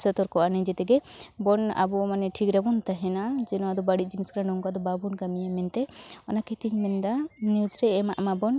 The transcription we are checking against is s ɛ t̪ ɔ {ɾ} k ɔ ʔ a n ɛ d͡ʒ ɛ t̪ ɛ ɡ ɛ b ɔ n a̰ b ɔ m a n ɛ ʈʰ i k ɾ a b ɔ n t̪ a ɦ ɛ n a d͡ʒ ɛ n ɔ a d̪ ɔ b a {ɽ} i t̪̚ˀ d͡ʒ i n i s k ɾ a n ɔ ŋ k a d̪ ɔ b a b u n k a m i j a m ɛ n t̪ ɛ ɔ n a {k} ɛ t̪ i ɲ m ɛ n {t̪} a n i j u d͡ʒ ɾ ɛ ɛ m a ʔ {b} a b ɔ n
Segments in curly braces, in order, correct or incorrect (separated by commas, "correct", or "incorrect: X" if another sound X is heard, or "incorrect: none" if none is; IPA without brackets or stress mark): correct, correct, correct, incorrect: d̪, incorrect: m